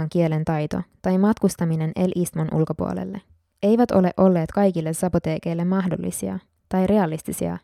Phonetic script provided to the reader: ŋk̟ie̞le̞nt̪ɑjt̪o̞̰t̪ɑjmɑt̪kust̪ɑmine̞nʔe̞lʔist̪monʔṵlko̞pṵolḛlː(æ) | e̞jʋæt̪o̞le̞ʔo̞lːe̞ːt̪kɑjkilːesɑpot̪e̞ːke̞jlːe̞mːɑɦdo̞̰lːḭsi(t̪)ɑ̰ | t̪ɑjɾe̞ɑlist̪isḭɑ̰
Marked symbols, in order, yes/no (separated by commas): no, no